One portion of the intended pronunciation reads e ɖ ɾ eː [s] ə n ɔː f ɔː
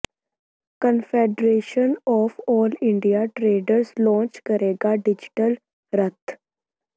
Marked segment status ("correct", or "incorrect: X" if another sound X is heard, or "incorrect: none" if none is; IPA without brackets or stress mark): incorrect: ʃ